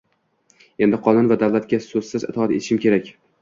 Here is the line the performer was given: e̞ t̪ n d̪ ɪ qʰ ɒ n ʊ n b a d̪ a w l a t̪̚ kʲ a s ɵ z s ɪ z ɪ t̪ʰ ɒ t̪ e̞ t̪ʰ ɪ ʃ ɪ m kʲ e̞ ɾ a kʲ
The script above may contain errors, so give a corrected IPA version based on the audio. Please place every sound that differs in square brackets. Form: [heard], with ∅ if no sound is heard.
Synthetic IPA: e̞ [∅] n d̪ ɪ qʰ ɒ n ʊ n [v] a d̪ a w l a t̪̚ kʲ a s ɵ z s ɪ z ɪ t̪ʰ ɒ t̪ e̞ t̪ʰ ɪ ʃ ɪ m kʲ e̞ ɾ a kʲ